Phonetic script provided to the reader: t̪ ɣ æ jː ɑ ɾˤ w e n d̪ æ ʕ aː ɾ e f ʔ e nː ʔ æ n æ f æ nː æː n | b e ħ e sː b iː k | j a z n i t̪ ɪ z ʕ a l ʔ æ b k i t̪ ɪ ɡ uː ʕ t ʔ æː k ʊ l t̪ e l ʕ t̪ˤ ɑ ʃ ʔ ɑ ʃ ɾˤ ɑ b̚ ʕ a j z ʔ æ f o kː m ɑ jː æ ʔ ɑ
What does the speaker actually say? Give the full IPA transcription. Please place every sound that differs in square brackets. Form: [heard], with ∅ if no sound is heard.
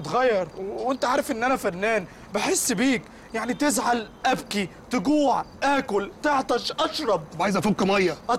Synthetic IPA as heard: t̪ ɣ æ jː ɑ ɾˤ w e n [t̪] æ ʕ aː ɾ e f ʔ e nː ʔ æ n æ f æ nː æː n | b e ħ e sː b iː k | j a [ʕ] n i t̪ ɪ z ʕ a l ʔ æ b k i t̪ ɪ ɡ uː ʕ t ʔ æː k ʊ l t̪ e [∅] ʕ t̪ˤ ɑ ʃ ʔ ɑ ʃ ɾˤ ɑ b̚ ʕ a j z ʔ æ f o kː m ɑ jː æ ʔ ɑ

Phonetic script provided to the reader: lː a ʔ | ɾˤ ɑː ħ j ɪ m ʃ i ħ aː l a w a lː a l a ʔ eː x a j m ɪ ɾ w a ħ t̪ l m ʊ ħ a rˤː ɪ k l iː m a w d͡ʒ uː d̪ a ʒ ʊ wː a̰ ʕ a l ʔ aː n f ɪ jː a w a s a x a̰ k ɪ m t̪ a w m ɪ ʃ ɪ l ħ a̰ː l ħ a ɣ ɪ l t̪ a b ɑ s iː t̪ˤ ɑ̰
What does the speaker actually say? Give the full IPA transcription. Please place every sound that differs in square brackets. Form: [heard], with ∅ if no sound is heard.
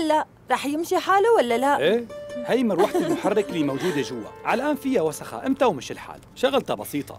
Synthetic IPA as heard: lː a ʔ | ɾˤ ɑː ħ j ɪ m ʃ i ħ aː l a w a lː a l a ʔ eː [h] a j m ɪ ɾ w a ħ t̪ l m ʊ ħ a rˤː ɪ k l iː m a w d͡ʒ uː d̪ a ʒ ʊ wː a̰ ʕ a l ʔ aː n f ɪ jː a w a s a x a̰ [ʔ] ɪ m t̪ a w m ɪ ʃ ɪ l ħ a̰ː l [ʃ] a ɣ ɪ l t̪ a b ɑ s iː t̪ˤ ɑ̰

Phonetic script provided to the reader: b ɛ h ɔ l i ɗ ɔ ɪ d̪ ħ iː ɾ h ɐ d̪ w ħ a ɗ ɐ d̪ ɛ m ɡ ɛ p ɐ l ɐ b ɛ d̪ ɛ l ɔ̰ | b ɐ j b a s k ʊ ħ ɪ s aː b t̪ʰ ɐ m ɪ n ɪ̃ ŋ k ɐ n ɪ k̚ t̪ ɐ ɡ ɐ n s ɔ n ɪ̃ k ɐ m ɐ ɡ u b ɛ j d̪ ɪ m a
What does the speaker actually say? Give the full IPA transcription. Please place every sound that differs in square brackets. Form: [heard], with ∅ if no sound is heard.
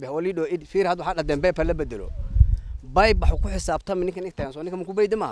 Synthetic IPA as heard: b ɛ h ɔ l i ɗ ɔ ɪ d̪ [f] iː ɾ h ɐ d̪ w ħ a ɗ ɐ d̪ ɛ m [b] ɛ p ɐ l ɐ b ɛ d̪ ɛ l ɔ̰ | b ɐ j b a [ħ] k ʊ ħ ɪ s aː b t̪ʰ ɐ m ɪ n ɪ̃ ŋ k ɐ n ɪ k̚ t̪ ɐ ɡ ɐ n s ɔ n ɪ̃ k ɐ m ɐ [k] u b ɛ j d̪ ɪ m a

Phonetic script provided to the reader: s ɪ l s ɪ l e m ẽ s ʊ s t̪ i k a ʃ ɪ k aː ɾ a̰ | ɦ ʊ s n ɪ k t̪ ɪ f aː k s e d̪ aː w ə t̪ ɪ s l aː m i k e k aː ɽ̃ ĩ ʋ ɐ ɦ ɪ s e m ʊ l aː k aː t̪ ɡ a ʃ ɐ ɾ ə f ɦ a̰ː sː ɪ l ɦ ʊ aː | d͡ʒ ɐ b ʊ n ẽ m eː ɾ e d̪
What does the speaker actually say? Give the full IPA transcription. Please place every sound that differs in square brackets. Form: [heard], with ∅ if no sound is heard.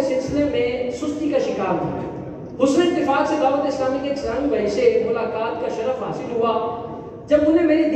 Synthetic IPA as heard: s ɪ l s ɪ l e m ẽ s ʊ s t̪ i k a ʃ ɪ k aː ɾ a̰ | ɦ ʊ s n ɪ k t̪ ɪ f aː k s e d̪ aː [ʋ] ə t̪ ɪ s l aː m i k e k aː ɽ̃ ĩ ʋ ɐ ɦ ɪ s e m ʊ l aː k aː t̪ [k] a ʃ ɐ ɾ ə f ɦ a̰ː [s] ɪ l ɦ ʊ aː | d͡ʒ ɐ b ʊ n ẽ m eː ɾ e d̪

